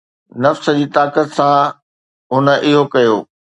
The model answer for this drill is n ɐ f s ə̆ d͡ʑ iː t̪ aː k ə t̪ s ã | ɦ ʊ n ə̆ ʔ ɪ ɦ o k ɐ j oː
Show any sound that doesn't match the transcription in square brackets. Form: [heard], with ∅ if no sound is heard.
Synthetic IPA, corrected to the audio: n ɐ f s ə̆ d͡ʑ iː t̪ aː k ə t̪ s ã | ɦ ʊ n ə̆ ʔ ɪ ɦ o k ɐ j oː